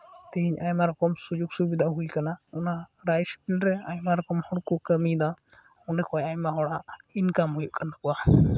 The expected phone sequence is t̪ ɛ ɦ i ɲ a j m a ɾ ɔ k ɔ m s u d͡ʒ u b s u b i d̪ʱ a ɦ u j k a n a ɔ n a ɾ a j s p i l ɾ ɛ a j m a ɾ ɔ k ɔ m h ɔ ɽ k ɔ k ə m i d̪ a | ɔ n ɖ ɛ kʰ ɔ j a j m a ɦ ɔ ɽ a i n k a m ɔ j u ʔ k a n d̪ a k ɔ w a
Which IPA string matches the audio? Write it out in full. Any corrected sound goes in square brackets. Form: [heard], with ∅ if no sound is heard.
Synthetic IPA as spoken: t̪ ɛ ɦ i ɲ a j m a ɾ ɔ k ɔ m s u d͡ʒ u [ɡ] s u b i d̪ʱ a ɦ u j k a n a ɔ n a ɾ a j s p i l ɾ ɛ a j m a ɾ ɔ k ɔ m h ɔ ɽ k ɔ k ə m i d̪ a | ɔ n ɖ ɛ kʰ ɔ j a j m a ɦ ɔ ɽ a i n k a m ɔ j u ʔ k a n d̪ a k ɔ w a